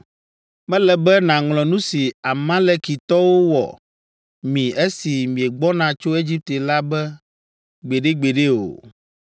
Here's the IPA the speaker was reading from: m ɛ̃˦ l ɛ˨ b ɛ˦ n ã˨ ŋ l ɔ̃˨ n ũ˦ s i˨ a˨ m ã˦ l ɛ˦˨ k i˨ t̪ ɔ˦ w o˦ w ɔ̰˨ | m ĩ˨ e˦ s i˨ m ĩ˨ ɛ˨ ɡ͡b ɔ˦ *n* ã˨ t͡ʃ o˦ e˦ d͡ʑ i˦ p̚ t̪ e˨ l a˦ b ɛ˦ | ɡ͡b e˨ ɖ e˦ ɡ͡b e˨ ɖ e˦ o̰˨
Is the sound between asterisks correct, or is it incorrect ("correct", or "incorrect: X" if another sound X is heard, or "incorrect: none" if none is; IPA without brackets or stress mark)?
correct